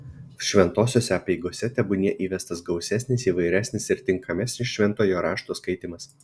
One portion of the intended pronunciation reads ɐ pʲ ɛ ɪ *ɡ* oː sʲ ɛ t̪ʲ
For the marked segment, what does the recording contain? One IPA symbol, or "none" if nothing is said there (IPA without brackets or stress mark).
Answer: ɡ